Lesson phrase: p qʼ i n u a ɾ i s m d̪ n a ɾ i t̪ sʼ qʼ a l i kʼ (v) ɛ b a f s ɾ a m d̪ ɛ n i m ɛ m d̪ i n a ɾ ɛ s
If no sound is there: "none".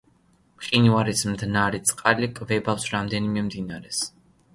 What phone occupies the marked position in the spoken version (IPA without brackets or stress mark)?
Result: v